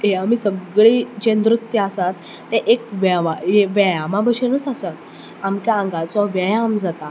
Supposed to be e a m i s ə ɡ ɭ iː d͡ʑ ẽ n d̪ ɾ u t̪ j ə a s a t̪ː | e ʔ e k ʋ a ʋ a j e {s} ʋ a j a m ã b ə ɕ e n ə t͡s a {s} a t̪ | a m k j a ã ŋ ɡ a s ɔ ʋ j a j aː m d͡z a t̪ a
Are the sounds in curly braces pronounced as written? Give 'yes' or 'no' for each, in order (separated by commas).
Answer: no, yes